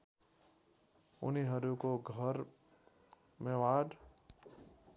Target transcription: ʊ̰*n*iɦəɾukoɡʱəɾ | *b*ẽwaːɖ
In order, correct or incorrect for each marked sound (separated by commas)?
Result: correct, incorrect